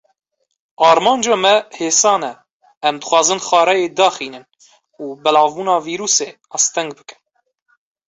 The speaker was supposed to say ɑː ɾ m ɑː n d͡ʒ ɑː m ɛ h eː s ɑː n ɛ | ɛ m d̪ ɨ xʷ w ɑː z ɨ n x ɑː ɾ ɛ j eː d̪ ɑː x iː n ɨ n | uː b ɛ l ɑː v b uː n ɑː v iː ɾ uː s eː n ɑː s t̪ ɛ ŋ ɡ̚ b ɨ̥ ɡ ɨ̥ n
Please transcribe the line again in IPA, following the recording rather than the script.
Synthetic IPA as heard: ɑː ɾ m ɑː n d͡ʒ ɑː m ɛ h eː s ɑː n ɛ | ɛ m d̪ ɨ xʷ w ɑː z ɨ n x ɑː ɾ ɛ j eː d̪ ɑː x iː n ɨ n | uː b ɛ l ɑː v b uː n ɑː v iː ɾ uː s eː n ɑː s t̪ ɛ ŋ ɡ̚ b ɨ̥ k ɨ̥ n